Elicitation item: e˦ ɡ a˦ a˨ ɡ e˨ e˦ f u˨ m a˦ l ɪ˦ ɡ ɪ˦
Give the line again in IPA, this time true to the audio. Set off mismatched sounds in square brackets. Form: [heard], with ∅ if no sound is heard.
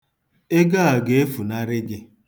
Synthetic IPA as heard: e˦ ɡ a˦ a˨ ɡ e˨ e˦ f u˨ [n] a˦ [ɾ] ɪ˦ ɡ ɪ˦

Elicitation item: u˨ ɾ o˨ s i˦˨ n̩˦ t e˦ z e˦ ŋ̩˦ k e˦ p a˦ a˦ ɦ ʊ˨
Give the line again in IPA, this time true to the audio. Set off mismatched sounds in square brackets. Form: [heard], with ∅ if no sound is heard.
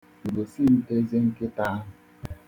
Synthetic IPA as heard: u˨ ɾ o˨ s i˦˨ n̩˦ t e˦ z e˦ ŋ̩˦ k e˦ [t] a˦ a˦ ɦ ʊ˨

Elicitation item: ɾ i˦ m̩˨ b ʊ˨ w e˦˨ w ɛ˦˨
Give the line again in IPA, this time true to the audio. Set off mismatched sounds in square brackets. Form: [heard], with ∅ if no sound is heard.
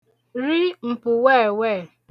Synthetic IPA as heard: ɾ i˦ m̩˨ [p] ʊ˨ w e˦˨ w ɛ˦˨

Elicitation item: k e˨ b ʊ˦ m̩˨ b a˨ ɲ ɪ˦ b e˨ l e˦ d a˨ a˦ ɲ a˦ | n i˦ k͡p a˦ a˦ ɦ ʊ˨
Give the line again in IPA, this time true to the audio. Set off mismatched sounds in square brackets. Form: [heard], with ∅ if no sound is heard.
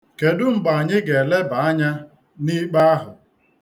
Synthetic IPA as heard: k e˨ [d] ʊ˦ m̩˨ b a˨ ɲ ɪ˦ [ɡ] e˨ l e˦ [b] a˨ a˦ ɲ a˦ | n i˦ k͡p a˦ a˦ ɦ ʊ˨

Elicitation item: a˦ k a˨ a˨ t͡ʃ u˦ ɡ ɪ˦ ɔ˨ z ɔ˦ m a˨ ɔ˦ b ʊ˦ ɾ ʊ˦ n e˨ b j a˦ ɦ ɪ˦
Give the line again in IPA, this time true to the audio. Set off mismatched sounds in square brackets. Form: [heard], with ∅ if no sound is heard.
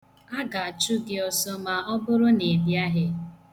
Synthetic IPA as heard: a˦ [ɡ] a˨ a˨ t͡ʃ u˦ ɡ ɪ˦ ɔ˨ [s] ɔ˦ m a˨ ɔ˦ b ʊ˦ ɾ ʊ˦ n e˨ b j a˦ ɦ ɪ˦

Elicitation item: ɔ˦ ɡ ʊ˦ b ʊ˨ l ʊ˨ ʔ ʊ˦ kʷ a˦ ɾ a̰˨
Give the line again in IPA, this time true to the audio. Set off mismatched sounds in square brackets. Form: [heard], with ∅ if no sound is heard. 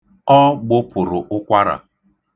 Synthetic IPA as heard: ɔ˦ [ɡ͡b] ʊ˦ [p] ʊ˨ [ɾ] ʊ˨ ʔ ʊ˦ kʷ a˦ ɾ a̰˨

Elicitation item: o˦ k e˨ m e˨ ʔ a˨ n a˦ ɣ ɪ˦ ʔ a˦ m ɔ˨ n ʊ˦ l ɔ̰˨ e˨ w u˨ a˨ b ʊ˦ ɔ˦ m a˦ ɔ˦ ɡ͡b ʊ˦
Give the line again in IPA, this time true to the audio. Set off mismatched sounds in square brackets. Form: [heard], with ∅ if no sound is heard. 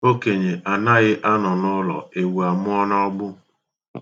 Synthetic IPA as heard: o˦ k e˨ [ɲ] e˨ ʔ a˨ n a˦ ɣ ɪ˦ ʔ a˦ [n] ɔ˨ n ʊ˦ l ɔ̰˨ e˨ w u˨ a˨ [m] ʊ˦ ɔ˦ [n] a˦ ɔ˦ ɡ͡b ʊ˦

